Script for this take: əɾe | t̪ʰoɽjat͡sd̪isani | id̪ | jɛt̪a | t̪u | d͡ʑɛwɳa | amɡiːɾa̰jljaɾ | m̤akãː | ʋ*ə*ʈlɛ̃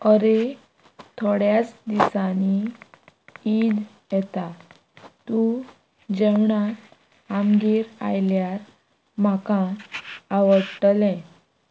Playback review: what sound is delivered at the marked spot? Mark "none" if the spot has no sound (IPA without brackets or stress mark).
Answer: ə